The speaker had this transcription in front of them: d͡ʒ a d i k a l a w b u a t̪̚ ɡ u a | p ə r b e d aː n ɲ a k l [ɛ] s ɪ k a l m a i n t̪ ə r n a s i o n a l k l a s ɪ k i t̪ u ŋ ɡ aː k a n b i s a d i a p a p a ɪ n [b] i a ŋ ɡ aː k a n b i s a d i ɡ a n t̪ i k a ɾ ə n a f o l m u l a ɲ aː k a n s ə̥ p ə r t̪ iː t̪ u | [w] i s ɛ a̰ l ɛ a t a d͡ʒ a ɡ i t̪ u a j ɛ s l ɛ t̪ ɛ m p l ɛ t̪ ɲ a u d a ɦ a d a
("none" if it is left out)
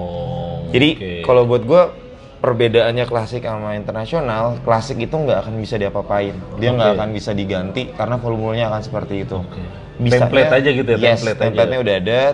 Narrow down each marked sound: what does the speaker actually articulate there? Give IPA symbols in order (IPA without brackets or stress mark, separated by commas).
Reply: a, d, b